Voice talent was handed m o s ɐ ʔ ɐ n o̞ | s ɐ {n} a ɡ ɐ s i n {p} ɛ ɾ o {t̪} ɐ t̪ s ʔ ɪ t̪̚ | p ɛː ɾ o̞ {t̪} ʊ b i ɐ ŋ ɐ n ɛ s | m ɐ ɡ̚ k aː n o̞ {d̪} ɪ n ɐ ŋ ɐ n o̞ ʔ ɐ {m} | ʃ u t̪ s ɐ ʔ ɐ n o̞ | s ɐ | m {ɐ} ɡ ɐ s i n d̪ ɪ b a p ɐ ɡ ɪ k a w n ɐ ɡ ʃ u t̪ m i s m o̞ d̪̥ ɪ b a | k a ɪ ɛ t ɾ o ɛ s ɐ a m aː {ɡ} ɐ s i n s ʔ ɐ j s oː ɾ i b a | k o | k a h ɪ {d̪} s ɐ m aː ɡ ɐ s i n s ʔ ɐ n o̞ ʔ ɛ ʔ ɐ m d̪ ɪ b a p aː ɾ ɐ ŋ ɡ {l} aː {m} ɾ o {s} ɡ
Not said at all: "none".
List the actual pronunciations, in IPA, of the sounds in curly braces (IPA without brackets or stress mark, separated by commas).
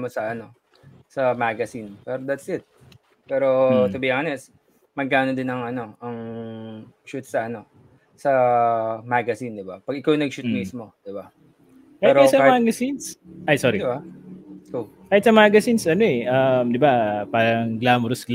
m, p, d̪, t̪, d̪, ŋ, a, ɡ, t̪, l, m, s